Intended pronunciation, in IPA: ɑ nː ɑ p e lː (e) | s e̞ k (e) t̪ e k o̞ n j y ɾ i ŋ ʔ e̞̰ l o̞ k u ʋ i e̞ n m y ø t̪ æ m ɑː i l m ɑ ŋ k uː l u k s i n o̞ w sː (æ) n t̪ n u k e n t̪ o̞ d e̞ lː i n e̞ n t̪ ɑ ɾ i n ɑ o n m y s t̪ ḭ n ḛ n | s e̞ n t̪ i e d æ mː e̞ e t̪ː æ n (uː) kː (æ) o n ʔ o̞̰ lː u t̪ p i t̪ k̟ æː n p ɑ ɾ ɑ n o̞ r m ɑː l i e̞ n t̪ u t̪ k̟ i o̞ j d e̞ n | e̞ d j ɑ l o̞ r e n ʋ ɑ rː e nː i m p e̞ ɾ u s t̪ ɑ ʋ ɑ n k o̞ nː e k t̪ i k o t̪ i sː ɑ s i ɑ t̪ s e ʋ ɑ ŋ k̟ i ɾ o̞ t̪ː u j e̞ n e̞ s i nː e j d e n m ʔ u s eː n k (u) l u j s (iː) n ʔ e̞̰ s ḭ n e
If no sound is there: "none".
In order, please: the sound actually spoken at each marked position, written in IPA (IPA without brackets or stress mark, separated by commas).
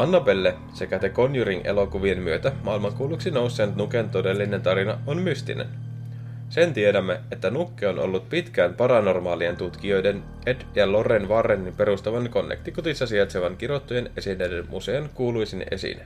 e, æ, e, u, e, uː, i